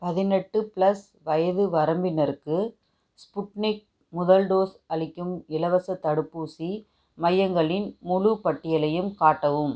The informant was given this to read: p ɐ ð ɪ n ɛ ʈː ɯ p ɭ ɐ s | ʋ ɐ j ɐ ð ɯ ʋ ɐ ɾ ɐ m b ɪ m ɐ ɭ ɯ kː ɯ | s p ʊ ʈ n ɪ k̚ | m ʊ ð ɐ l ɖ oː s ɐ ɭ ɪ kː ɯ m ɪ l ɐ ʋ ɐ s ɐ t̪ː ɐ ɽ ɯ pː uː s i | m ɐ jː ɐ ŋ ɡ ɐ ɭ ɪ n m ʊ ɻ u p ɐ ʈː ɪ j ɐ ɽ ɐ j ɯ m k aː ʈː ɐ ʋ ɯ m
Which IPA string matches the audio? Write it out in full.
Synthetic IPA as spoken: p ɐ ð ɪ n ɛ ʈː ɯ p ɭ ɐ s | ʋ ɐ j ɐ ð ɯ ʋ ɐ ɾ ɐ m b ɪ n ɐ ɾ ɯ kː ɯ | s p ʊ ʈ n ɪ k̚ | m ʊ ð ɐ l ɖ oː s ɐ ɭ ɪ kː ɯ m ɪ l ɐ ʋ ɐ s ɐ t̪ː ɐ ɽ ɯ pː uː s i | m ɐ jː ɐ ŋ ɡ ɐ ɭ ɪ n m ʊ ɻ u p ɐ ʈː ɪ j ɐ l ɐ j ɯ m k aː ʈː ɐ ʋ ɯ m